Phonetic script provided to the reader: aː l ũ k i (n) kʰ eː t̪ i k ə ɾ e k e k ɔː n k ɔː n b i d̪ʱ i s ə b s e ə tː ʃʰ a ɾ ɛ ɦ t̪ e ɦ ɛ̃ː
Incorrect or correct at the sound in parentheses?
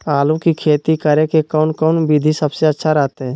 incorrect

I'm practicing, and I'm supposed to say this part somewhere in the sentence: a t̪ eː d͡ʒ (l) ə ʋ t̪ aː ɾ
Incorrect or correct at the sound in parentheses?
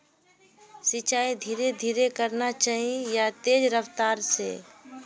incorrect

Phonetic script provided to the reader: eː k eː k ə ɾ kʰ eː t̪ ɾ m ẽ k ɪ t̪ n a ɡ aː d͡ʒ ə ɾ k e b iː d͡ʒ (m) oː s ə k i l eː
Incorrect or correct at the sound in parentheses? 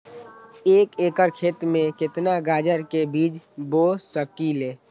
incorrect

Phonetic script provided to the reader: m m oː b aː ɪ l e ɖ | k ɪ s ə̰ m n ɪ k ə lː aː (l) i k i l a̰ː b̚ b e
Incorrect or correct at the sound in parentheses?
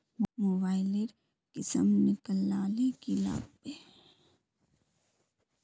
correct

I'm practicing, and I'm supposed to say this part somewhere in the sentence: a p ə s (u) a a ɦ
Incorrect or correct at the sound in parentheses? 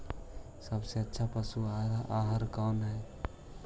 correct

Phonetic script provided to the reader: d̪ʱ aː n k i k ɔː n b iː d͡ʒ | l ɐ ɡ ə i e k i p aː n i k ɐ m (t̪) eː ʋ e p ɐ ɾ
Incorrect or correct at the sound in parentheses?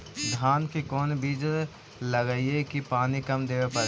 incorrect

